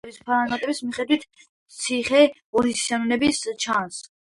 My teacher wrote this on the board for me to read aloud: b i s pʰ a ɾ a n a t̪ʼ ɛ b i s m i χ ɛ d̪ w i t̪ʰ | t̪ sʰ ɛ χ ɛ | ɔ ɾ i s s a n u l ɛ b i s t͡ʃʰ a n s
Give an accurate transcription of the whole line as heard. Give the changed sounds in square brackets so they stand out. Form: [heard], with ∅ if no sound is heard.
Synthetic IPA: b i s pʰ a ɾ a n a t̪ʼ ɛ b i s m i χ ɛ d̪ w i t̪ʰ | t̪ sʰ [i] χ ɛ | ɔ ɾ i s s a n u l ɛ b i s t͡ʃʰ a n s